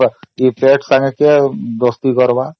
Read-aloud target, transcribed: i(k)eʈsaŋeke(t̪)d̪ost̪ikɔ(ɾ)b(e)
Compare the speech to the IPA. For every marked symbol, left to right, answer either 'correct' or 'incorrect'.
incorrect: p, incorrect: none, correct, incorrect: a

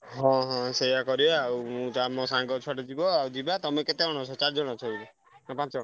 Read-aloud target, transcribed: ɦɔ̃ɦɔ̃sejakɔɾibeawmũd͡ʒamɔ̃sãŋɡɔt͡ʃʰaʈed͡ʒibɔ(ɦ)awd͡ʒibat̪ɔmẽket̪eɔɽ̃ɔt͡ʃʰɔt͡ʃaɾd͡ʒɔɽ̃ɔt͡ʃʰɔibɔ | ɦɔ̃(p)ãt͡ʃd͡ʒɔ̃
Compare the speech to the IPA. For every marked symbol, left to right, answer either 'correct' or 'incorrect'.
incorrect: none, correct

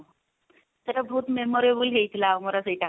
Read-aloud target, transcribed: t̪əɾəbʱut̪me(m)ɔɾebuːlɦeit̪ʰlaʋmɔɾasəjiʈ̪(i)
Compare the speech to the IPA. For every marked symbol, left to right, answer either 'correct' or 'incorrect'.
correct, incorrect: a

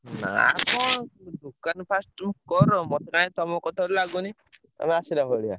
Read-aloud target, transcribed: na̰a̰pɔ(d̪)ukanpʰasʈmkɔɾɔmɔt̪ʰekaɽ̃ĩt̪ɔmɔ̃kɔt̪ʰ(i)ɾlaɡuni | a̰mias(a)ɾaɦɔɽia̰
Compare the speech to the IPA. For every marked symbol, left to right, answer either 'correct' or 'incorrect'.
correct, incorrect: a, incorrect: i

